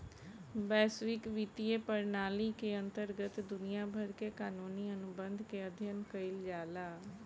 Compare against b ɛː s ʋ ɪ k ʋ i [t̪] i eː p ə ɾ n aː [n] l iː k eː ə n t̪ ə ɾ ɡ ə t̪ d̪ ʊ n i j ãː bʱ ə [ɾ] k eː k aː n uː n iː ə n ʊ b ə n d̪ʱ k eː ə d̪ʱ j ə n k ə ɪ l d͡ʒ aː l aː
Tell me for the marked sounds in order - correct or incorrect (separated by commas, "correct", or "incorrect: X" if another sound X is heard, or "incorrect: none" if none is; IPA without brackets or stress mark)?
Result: correct, incorrect: none, correct